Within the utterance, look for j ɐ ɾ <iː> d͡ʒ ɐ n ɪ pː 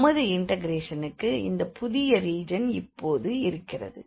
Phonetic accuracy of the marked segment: correct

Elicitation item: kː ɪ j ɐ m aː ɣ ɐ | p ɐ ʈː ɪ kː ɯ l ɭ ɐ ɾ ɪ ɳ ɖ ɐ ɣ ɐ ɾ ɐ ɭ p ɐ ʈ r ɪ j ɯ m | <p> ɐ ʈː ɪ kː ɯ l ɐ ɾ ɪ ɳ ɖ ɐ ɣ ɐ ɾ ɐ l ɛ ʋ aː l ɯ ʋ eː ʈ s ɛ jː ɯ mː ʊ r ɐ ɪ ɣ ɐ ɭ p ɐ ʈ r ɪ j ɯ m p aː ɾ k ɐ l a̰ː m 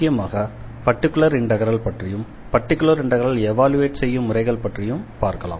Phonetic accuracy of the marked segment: correct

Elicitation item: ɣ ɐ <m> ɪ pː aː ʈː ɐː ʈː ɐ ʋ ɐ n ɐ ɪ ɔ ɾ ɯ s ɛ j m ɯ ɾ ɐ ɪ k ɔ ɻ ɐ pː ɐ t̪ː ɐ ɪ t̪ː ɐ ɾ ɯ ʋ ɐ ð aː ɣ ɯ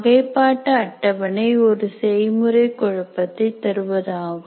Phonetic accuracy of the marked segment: incorrect: none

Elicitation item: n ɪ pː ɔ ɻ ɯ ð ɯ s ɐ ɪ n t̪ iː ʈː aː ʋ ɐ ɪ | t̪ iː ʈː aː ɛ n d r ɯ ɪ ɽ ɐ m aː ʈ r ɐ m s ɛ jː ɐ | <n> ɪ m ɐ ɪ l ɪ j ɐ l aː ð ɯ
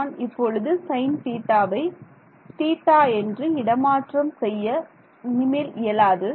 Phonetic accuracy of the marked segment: correct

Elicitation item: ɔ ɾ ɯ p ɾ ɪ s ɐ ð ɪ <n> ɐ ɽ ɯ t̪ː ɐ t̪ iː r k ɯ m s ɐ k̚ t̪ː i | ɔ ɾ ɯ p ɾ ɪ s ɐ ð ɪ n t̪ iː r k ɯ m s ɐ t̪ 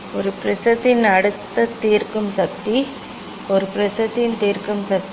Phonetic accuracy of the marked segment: correct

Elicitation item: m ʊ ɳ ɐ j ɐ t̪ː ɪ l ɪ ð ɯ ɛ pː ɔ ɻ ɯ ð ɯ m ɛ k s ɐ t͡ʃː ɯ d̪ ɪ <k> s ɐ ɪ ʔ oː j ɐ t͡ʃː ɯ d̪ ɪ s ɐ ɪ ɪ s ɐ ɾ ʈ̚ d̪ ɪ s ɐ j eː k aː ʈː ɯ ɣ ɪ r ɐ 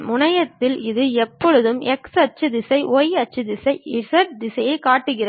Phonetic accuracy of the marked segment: incorrect: none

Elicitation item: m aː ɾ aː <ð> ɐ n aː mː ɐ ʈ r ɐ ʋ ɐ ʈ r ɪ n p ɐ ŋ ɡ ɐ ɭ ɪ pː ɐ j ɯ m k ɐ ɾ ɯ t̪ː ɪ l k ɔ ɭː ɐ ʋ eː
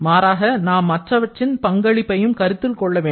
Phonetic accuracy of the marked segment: incorrect: ɣ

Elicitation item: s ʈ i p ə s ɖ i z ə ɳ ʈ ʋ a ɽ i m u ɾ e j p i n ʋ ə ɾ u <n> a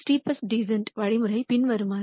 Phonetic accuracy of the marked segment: incorrect: m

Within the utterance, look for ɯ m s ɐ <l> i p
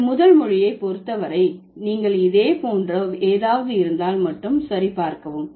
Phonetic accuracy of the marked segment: incorrect: ɾ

